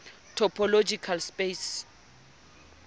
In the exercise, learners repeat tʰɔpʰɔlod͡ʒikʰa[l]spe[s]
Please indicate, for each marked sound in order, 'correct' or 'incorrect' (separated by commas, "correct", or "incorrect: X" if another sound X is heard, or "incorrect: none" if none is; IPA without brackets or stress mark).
correct, correct